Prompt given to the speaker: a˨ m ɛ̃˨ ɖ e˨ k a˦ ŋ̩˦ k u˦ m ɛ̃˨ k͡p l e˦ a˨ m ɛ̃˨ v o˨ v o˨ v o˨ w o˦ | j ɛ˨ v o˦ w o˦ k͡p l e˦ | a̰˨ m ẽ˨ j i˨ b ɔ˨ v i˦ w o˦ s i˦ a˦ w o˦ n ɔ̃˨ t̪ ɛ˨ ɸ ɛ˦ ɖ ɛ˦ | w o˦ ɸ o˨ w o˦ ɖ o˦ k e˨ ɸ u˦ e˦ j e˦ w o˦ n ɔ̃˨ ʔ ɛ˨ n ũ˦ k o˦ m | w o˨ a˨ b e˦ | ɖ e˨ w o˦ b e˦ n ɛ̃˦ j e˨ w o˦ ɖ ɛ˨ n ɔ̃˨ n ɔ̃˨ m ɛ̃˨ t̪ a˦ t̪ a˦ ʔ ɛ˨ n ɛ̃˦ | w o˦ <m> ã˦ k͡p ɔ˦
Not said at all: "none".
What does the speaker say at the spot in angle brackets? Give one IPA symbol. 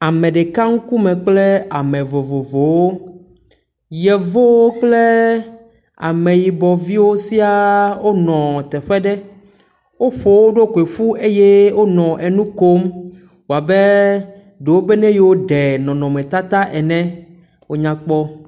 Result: ɲ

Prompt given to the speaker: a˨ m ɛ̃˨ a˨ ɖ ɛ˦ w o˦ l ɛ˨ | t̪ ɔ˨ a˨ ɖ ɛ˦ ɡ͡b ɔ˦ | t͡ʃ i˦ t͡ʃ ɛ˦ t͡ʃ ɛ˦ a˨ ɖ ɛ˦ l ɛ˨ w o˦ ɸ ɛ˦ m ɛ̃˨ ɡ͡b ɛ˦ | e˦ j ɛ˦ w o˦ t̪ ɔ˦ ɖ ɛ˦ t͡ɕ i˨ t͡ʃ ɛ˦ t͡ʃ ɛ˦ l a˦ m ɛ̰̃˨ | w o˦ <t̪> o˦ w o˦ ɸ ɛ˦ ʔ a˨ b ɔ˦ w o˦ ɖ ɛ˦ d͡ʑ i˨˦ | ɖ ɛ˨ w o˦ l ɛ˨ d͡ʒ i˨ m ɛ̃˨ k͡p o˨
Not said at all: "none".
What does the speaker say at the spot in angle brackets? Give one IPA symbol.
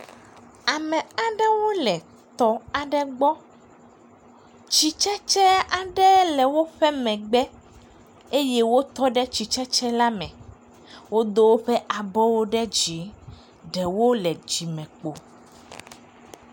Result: d̪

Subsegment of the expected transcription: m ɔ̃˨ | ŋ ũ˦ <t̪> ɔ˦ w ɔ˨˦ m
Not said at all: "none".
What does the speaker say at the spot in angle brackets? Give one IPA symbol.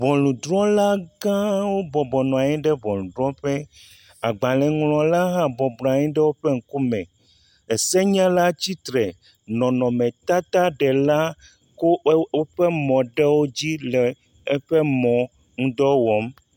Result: d̪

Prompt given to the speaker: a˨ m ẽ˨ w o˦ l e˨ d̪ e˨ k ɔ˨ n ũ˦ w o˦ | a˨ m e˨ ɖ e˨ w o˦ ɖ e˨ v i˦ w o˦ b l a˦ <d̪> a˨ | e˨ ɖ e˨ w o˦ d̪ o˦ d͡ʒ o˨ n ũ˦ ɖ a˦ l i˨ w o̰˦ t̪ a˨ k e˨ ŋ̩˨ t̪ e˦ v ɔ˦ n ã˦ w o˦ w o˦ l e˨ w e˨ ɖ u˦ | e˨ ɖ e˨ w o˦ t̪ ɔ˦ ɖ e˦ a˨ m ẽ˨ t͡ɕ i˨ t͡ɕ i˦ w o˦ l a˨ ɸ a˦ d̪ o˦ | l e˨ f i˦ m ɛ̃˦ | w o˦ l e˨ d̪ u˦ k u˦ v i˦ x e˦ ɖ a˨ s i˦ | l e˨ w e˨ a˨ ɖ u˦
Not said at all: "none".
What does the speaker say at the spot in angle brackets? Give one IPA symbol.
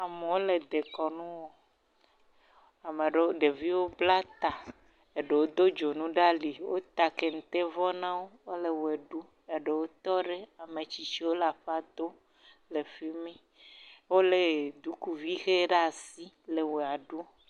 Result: t̪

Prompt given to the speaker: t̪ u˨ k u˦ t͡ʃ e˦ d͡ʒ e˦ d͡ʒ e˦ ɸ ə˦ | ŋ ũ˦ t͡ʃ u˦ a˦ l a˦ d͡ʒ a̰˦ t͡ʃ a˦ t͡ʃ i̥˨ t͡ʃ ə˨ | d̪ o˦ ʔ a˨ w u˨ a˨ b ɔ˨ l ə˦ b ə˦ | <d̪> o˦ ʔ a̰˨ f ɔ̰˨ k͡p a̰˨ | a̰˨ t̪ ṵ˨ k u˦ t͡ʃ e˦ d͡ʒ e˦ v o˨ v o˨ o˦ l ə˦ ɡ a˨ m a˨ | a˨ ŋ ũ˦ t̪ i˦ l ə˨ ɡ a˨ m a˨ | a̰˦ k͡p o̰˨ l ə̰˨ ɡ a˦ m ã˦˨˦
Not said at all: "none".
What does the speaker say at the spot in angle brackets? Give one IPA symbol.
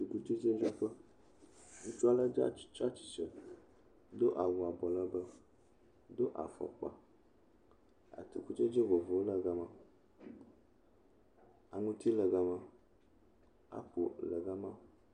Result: d̪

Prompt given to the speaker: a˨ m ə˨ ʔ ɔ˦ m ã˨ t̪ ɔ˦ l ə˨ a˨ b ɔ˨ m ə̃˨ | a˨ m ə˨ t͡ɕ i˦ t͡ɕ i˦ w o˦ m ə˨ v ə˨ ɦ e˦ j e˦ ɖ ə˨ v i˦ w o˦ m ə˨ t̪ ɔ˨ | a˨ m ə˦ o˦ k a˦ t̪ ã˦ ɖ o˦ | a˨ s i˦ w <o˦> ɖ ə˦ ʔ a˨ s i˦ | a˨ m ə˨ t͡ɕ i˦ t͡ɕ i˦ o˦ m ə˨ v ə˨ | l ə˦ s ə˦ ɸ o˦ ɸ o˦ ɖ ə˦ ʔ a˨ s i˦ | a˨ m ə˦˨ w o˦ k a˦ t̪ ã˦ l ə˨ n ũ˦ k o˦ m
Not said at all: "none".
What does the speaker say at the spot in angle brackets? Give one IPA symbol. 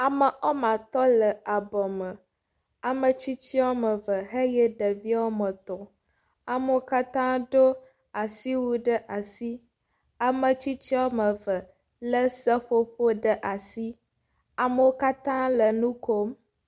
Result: u˦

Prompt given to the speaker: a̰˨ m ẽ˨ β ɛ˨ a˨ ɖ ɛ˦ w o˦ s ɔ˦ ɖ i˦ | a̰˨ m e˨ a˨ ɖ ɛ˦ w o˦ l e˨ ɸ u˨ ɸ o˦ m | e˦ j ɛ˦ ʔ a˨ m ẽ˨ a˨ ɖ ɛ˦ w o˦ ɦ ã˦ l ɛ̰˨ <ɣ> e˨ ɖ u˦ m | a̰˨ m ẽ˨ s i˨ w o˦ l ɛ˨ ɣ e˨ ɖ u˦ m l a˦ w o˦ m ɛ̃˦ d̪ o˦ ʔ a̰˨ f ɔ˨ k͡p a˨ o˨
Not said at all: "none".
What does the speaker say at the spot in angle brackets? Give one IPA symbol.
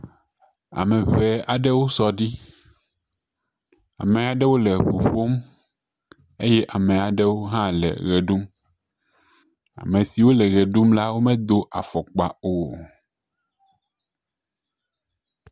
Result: ɣ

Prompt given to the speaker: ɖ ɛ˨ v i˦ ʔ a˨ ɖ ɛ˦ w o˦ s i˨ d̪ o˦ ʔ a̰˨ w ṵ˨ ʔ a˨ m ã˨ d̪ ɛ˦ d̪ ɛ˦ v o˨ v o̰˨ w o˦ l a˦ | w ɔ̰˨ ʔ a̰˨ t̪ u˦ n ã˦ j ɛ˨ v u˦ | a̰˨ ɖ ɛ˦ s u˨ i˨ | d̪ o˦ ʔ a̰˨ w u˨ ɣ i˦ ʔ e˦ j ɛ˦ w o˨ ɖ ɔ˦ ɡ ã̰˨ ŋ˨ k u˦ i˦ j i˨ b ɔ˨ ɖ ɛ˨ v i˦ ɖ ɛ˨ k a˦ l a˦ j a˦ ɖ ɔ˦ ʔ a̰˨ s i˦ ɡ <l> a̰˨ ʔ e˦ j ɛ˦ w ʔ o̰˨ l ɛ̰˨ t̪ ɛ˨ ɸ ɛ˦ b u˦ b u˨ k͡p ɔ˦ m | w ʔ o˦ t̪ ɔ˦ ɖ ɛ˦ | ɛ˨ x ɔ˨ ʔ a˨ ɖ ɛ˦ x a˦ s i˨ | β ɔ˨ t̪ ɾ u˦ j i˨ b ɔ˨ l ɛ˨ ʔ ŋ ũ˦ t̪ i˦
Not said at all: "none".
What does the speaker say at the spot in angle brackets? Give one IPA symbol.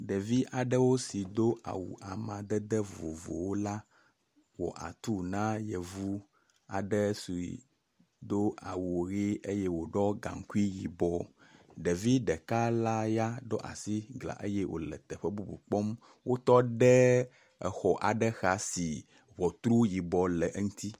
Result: l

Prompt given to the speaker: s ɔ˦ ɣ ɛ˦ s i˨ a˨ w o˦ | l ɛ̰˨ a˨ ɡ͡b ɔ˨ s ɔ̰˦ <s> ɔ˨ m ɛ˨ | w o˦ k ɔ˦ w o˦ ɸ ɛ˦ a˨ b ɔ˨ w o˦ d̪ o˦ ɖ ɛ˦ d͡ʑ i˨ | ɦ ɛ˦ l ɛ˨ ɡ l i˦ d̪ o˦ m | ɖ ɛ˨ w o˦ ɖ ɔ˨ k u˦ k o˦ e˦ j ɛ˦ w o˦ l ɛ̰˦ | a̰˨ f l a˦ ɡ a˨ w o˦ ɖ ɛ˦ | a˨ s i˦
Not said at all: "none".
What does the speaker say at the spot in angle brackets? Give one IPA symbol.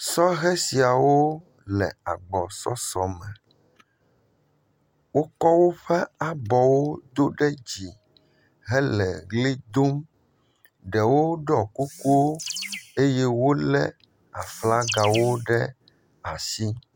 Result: s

